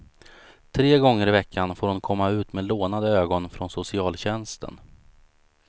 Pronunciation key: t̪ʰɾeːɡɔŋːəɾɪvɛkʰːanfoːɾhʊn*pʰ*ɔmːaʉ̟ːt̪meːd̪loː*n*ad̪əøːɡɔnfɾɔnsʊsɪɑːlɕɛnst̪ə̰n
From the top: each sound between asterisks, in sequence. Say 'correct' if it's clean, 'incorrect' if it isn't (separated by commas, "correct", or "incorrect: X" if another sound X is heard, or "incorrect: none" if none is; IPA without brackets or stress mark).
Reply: incorrect: kʰ, correct